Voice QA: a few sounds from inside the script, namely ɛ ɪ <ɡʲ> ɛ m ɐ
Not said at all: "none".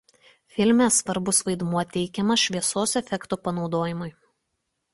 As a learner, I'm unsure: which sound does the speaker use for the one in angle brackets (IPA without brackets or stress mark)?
kʲ